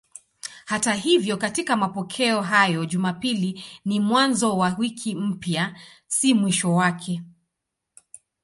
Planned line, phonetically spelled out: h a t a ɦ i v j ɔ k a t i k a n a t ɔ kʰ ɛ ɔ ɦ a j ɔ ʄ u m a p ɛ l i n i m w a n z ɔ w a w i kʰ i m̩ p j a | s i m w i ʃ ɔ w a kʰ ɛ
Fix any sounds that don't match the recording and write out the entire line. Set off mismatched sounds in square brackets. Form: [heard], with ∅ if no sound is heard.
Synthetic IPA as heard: h a t a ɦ i v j ɔ k a t i k a [m] a [p] ɔ kʰ ɛ ɔ ɦ a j ɔ ʄ u m a p [i] l i n i m w a n z ɔ w a w i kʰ i m̩ p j a | s i m w i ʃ ɔ w a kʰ ɛ